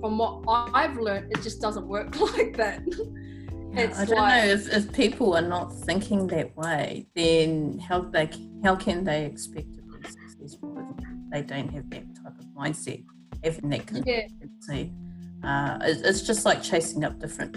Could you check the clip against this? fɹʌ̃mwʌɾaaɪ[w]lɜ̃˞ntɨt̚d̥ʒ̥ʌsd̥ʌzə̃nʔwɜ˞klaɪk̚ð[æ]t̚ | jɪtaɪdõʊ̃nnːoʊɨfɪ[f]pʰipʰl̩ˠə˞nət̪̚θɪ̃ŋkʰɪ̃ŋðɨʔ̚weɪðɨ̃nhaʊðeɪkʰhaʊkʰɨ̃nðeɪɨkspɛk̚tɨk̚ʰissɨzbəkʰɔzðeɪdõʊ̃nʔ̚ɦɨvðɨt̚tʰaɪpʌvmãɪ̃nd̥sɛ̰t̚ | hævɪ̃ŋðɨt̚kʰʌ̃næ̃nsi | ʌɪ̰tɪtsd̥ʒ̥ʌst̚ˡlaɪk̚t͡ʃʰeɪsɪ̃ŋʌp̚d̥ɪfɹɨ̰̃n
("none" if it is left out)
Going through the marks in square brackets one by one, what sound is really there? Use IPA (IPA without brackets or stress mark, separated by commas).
v, æ, f